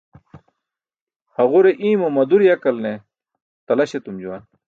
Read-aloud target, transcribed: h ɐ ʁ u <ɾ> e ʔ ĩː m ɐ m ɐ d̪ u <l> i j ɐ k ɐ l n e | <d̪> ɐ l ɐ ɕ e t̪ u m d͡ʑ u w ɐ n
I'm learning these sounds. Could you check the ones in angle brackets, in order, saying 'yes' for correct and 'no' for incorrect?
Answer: yes, no, no

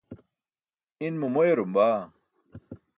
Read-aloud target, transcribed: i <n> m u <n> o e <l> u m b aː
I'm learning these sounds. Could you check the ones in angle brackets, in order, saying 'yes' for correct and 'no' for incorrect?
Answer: yes, no, no

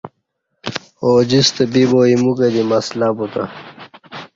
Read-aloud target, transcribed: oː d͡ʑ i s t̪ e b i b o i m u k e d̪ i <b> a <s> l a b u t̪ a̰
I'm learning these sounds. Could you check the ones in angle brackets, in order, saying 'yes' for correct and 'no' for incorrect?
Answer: no, yes

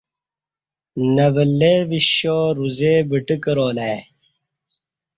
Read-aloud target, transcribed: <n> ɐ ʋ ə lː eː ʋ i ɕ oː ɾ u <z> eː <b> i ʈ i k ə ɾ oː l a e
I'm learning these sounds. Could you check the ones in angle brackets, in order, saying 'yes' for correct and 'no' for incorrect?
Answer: yes, yes, yes

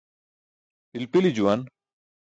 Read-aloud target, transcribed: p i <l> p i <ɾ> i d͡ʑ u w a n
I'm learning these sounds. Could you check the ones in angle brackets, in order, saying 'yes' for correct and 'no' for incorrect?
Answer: yes, no

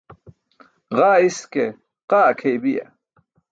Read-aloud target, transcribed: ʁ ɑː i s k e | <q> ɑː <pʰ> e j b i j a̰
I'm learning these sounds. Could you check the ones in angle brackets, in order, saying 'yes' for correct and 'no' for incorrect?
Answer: yes, no

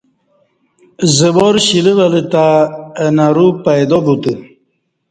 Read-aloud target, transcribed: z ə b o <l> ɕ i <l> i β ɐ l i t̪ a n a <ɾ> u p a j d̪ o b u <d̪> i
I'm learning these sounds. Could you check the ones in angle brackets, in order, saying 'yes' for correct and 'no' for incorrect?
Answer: no, yes, yes, no

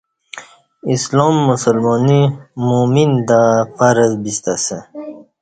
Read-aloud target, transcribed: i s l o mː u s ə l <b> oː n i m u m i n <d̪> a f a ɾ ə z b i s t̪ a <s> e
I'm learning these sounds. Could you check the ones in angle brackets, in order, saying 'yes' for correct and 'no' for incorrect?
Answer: no, yes, yes

